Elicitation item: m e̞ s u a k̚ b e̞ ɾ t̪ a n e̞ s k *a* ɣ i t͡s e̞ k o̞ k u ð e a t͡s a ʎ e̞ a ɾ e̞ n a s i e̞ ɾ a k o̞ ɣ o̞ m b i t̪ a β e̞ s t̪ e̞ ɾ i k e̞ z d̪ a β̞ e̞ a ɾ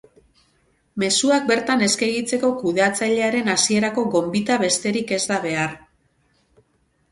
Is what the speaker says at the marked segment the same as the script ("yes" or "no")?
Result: no